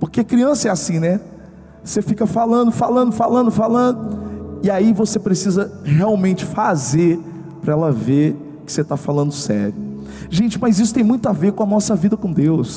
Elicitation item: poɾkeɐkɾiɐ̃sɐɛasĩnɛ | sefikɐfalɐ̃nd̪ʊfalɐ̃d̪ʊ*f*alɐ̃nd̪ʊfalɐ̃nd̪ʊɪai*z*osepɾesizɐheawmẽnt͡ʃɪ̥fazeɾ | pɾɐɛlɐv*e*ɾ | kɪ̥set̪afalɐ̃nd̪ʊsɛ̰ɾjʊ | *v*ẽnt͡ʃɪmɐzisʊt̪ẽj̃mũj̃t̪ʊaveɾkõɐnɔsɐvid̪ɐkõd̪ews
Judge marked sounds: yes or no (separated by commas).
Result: yes, no, yes, no